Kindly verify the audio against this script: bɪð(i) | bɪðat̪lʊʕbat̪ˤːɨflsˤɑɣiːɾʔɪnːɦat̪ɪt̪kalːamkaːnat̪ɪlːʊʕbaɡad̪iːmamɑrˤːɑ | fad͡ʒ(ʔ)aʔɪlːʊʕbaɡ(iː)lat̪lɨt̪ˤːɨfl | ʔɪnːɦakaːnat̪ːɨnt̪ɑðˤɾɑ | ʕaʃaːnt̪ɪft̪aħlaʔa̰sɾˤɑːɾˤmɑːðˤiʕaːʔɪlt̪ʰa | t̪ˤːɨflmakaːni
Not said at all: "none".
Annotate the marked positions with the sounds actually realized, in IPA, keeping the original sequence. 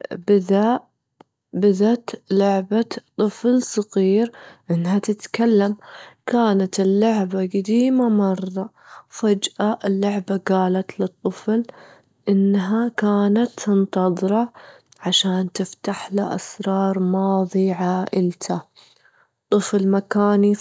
a, ʔ, aː

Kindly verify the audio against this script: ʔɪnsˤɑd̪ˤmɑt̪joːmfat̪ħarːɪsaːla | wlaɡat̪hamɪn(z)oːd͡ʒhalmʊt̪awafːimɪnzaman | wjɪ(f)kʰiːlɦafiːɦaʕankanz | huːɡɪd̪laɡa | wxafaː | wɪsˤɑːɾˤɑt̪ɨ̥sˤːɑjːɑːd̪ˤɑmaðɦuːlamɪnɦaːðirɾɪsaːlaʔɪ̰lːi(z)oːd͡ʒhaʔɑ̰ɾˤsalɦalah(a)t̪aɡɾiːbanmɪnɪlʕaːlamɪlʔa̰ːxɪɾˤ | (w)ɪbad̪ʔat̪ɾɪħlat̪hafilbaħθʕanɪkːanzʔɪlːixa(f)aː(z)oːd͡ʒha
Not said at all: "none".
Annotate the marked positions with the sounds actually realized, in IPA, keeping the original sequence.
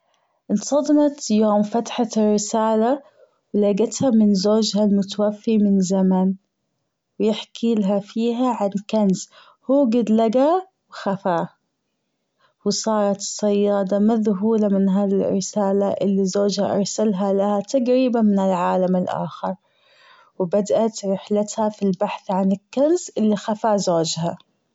z, ħ, z, a, w, f, z

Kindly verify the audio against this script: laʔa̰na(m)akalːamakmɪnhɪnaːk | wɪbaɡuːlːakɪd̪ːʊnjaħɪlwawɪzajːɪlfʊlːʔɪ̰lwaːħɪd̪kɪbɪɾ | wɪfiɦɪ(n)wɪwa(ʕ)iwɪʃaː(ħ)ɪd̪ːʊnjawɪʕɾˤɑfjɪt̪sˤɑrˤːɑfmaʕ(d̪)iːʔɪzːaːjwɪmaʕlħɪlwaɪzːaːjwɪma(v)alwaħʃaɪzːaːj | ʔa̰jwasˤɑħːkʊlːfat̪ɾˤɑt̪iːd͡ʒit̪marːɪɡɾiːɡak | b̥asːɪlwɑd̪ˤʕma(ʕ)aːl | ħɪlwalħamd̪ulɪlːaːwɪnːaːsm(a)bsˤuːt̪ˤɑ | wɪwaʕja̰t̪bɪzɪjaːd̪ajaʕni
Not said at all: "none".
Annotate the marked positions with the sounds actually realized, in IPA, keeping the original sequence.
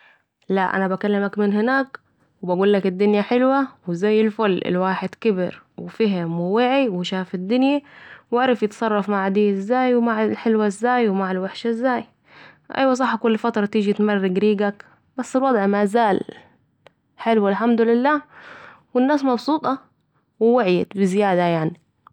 b, m, ʕ, f, d̪, ʕ, z, ɑ

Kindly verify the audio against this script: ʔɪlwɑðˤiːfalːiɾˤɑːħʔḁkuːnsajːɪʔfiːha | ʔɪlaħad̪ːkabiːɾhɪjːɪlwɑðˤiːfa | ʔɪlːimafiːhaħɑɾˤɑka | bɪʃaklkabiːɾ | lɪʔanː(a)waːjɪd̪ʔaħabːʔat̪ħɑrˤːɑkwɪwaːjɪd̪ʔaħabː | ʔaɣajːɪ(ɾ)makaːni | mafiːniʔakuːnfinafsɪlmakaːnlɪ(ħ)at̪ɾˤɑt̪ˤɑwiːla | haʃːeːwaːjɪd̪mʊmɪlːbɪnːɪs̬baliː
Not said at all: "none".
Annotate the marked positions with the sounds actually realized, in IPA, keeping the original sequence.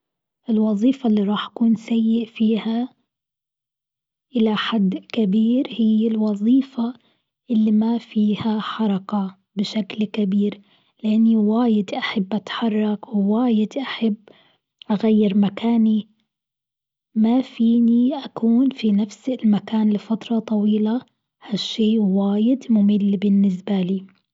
i, ɾ, f

